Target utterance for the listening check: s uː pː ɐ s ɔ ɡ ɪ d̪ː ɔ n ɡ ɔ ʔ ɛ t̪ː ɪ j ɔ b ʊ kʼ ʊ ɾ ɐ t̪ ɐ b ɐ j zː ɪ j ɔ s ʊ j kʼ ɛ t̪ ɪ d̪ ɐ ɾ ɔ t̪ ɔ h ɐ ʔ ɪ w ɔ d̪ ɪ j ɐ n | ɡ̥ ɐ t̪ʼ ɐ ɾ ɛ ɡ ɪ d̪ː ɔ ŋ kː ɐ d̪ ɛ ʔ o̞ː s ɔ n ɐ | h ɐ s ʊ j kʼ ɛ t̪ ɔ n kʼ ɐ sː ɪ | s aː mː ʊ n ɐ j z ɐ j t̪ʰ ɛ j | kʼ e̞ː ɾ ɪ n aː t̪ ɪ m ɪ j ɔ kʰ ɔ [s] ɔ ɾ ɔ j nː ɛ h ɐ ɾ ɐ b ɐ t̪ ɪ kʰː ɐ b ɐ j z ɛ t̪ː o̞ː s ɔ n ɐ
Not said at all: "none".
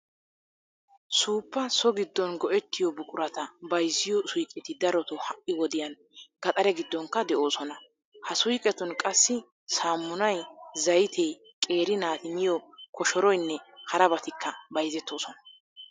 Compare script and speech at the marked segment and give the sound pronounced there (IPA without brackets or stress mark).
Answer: ʃ